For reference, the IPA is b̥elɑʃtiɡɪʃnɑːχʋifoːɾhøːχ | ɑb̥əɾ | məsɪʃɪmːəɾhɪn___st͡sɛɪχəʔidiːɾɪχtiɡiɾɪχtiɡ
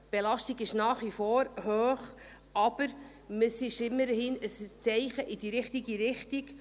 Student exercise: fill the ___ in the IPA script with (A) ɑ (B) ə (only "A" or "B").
B